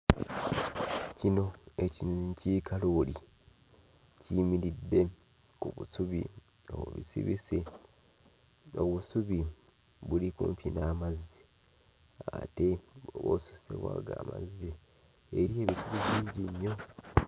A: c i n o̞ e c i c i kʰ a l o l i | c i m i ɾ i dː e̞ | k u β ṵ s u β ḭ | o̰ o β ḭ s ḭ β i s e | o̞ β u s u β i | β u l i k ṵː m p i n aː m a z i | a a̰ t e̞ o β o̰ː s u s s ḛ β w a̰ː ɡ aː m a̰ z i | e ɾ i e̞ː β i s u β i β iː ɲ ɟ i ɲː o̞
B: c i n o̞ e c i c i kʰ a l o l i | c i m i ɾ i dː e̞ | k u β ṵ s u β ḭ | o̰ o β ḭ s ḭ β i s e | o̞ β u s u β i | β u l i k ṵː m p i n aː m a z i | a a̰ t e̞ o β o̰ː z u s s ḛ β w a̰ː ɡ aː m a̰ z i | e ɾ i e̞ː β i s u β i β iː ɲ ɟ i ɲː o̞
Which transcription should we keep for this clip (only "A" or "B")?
A